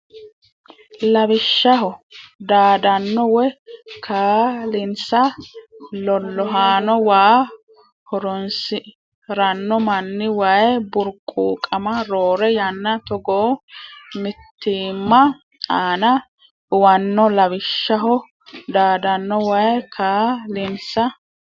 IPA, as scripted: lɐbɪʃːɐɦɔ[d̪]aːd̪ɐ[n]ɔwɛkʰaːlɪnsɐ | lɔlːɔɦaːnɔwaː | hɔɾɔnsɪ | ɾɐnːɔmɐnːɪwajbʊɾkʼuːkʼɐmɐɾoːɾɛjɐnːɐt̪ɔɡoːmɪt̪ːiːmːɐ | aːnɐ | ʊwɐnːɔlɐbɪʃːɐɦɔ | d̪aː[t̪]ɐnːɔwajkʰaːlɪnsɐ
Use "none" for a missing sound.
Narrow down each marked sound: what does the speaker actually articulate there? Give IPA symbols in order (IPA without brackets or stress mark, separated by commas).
d̪, nː, d̪